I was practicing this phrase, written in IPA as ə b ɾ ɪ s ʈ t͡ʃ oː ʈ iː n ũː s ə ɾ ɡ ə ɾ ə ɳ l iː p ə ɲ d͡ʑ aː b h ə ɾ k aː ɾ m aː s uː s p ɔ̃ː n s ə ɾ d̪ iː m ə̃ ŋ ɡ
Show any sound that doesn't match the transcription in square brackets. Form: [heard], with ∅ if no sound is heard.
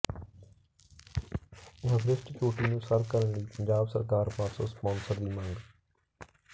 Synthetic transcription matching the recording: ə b ɾ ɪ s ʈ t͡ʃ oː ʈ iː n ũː s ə ɾ [k] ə ɾ ə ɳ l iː p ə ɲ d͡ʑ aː b [s] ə ɾ k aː ɾ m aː s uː s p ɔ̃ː n s ə ɾ d̪ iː m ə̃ ŋ ɡ